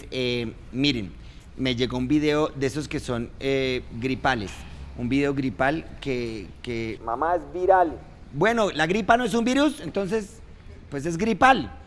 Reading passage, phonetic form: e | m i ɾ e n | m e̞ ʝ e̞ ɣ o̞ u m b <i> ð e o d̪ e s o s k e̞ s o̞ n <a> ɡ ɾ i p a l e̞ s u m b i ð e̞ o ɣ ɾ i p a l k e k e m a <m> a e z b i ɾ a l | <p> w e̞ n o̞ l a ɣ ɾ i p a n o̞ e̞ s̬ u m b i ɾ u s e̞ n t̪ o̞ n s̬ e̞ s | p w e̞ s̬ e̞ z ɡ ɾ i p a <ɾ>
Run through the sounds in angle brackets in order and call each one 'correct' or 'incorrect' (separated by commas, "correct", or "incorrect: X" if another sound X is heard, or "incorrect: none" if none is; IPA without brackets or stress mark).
correct, incorrect: e, correct, incorrect: b, incorrect: l